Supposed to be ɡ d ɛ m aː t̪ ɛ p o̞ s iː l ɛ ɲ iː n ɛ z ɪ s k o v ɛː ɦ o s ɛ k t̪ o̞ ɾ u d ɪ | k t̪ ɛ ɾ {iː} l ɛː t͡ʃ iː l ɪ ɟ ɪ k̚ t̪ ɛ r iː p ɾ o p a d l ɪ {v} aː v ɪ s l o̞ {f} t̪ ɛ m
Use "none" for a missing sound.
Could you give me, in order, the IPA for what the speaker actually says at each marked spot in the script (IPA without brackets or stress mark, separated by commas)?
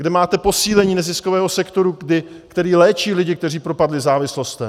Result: iː, z, s